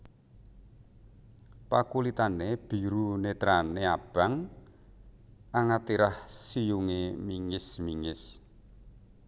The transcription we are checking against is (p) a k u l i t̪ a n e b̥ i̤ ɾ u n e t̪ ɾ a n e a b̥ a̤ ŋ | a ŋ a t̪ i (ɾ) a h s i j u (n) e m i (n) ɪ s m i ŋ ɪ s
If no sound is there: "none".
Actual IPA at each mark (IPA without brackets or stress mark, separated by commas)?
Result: p, ɾ, ŋ, ŋ